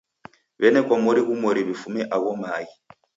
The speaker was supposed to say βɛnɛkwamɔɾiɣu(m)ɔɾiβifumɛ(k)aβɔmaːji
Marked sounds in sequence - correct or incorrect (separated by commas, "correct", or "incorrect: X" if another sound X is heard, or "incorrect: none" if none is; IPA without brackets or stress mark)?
correct, incorrect: ʔ